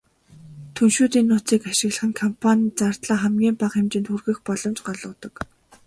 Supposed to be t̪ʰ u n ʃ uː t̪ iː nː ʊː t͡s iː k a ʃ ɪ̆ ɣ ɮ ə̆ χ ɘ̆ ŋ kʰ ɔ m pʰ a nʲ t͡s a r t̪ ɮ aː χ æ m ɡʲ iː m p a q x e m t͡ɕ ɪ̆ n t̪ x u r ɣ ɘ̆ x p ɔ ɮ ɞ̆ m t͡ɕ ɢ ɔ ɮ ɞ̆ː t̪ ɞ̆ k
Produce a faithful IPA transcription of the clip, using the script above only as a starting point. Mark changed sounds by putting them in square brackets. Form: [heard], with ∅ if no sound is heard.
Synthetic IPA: t̪ʰ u n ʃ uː t̪ iː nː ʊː t͡s iː k a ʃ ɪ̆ ɣ ɮ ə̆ χ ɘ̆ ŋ kʰ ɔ m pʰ a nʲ t͡s a r t̪ ɮ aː χ æ m ɡʲ iː m p a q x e m t͡ɕ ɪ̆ n t̪ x u r ɣ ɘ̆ x p ɔ ɮ ɞ̆ m t͡ɕ ɢ ɔ ɮ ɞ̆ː t̪ ɞ̆ k